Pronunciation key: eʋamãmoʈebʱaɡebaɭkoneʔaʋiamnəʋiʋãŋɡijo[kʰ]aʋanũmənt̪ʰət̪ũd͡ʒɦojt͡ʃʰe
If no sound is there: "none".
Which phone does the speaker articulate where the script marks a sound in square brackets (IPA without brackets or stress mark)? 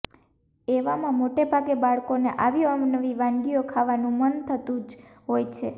kʰ